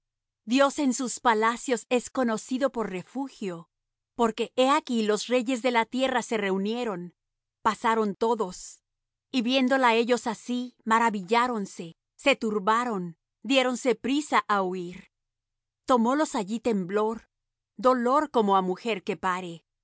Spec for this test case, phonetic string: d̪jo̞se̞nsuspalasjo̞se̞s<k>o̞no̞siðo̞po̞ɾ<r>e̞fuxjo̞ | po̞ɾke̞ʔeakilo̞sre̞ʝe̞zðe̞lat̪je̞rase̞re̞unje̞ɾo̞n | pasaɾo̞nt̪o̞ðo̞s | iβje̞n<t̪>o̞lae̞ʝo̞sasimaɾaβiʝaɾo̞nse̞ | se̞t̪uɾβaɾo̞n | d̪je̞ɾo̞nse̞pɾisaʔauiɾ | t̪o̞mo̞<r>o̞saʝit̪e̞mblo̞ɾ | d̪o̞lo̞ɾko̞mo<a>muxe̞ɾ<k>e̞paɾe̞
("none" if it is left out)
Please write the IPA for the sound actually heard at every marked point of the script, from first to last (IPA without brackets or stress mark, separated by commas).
k, r, d̪, l, a, k